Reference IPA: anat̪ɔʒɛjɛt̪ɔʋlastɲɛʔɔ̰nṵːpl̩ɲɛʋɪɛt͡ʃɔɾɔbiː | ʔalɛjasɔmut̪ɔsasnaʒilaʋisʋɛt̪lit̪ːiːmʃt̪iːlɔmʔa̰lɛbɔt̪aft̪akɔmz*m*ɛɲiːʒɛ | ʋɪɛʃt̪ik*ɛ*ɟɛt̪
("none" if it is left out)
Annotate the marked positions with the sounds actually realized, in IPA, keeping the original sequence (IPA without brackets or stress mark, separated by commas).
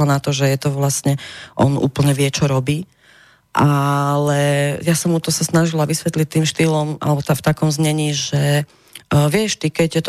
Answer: ɲ, ɛ